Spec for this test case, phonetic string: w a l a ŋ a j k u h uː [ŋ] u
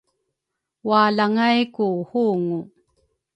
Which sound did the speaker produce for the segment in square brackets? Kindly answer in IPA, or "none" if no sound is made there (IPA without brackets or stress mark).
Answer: ŋ